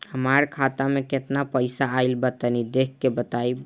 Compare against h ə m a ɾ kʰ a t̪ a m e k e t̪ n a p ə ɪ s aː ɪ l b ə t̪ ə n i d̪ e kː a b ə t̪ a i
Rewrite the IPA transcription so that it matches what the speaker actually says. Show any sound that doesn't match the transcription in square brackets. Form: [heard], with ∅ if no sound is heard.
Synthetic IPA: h ə m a ɾ kʰ a t̪ a m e k e t̪ n a p ə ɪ s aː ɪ l b ə t̪ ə n i d̪ e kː [e] b ə t̪ a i